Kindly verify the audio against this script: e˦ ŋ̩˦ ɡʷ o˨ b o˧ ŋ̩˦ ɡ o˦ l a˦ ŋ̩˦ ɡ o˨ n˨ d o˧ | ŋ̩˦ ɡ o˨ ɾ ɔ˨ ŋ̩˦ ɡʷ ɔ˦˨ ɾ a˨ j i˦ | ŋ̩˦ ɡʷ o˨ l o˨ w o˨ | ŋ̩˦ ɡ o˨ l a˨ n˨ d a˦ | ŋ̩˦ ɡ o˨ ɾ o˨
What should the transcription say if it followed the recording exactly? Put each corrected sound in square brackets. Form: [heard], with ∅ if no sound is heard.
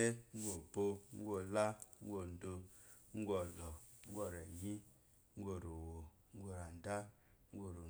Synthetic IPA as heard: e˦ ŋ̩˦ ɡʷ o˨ b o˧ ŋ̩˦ ɡ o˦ l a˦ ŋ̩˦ ɡ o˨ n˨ d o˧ | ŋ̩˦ ɡ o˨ [l] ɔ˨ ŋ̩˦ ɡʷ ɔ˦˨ ɾ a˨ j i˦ | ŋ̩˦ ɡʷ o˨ [ɾ] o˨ w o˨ | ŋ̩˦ ɡ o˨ [ɾ] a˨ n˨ d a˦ | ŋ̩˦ ɡ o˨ ɾ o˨